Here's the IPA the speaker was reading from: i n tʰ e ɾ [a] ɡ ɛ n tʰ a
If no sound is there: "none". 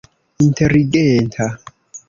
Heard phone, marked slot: i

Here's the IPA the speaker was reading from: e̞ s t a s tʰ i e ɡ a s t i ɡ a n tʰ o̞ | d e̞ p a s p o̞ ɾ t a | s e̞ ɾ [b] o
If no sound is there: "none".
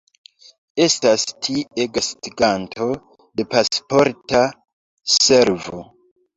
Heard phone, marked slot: v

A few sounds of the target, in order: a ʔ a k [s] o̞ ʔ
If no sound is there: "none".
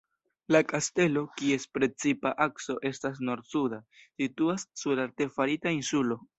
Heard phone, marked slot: s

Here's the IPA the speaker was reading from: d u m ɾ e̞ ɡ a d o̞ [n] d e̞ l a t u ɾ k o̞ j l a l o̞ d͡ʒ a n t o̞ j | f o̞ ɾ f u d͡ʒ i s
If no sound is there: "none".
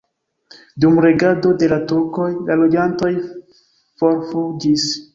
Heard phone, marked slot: none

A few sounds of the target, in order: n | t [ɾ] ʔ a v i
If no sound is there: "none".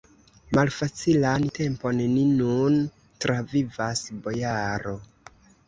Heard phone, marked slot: ɾ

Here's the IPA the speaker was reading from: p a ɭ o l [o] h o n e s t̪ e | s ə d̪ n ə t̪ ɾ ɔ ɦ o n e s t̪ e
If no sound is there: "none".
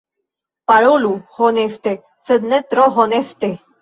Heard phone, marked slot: u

